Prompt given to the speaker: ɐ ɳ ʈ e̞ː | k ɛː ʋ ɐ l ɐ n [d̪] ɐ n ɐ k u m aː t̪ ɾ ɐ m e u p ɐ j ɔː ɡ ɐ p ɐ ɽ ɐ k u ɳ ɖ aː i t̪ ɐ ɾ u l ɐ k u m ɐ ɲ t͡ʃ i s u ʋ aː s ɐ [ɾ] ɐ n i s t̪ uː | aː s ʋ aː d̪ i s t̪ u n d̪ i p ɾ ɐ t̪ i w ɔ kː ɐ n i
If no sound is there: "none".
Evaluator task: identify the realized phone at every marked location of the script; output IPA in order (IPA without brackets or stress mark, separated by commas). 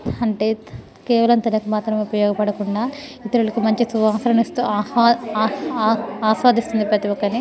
t̪, ɾ